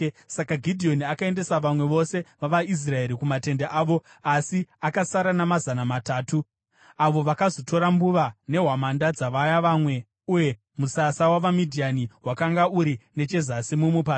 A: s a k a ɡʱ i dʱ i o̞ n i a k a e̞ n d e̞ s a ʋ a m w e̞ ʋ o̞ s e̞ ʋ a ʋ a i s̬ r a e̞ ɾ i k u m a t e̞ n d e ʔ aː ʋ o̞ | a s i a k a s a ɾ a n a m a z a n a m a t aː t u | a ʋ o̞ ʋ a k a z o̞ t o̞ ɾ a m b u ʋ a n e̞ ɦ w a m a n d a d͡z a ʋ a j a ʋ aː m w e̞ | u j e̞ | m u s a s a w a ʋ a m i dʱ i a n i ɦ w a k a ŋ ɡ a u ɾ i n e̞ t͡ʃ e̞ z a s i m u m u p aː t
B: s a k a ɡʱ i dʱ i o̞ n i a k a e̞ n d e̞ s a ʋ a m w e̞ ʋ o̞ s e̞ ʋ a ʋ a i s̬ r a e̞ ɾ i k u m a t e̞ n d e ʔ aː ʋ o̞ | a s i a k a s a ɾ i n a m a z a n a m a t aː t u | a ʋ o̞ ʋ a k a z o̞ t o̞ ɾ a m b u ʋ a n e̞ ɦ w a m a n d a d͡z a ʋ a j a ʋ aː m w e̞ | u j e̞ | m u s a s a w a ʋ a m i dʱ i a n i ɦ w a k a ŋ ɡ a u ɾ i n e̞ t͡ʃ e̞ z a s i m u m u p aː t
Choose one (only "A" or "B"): A